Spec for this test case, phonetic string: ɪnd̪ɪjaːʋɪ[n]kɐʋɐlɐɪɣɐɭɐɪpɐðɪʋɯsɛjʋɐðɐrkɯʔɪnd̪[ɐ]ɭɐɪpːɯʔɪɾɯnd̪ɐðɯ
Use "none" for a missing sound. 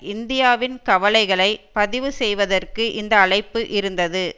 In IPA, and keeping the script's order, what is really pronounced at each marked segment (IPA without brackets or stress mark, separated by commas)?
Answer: n, ɐː